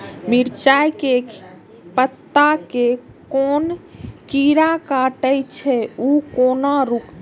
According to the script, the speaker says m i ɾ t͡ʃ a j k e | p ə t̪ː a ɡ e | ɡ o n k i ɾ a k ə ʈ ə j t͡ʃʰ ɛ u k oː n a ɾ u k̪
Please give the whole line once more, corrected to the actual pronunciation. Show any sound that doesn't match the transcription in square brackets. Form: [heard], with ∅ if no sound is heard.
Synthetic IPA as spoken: m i ɾ t͡ʃ a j k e | p ə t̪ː a [k] e | [k] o n k i ɾ a k [a] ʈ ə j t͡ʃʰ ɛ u k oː n a ɾ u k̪